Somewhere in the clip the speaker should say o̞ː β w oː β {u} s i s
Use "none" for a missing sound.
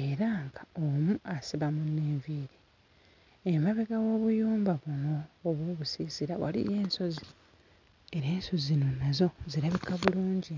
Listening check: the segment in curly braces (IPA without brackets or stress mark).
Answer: u